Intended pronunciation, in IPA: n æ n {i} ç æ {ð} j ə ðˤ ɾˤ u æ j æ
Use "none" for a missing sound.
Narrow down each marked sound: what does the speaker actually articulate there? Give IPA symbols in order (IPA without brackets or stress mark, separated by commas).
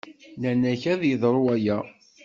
æ, ð